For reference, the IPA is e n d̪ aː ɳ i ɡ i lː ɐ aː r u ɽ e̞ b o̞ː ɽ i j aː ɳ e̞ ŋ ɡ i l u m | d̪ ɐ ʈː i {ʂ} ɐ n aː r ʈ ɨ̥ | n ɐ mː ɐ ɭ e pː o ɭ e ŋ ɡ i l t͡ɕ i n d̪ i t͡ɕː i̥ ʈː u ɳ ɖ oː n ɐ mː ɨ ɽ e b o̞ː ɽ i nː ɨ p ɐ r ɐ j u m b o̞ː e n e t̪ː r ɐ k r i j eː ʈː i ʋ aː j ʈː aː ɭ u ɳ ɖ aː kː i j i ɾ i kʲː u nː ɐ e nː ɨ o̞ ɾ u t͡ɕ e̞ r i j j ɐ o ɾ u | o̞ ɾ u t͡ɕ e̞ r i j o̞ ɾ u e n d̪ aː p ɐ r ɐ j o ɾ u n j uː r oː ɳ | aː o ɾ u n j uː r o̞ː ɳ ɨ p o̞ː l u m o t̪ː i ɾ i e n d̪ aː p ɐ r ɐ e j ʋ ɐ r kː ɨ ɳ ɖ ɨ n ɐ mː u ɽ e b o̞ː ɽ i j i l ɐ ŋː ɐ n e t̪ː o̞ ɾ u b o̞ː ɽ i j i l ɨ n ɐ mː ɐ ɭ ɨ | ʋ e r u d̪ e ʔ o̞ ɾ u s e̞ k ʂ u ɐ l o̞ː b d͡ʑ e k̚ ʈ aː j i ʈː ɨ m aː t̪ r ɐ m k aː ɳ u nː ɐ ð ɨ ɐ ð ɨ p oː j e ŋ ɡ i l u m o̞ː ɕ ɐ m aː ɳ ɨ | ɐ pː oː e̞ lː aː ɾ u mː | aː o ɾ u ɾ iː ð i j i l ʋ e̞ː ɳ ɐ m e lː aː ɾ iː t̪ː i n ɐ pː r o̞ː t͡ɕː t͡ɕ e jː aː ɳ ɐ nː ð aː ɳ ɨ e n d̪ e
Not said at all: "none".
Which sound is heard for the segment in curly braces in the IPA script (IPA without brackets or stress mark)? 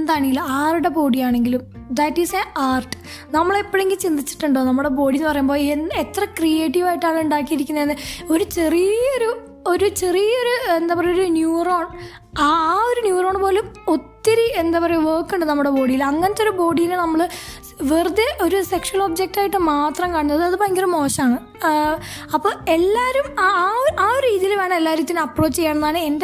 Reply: s